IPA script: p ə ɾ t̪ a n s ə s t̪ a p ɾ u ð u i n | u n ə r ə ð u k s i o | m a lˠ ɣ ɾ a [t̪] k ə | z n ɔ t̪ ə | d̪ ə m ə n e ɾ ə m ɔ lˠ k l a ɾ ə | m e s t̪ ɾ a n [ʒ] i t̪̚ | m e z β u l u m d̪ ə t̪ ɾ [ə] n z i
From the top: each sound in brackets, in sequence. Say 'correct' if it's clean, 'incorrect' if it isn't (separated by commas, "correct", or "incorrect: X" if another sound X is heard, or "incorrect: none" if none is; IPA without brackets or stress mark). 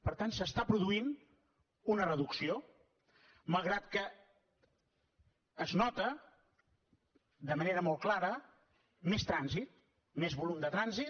correct, incorrect: z, incorrect: a